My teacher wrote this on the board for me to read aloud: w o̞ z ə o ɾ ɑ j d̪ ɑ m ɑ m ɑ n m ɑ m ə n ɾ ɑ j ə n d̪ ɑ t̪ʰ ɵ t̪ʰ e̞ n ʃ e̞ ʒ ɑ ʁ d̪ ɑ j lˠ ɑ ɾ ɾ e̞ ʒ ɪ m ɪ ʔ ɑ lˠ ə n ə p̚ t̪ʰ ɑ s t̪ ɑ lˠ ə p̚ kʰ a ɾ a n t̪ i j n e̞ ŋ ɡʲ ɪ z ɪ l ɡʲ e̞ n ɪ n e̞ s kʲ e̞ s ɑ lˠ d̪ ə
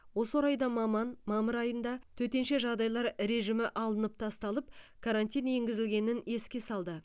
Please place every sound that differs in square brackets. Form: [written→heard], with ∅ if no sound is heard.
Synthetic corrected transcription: w o̞ [z→s] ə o ɾ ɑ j d̪ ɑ m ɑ m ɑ n m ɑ m ə [n→∅] ɾ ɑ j ə n d̪ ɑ t̪ʰ ɵ [t̪ʰ→t̪] e̞ n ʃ e̞ ʒ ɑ ʁ d̪ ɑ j lˠ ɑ ɾ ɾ e̞ ʒ ɪ m ɪ ʔ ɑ lˠ ə n ə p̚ t̪ʰ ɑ s t̪ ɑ lˠ ə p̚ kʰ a ɾ a n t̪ i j n e̞ ŋ ɡʲ ɪ z ɪ l ɡʲ e̞ n ɪ n e̞ s kʲ e̞ s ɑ lˠ d̪ ə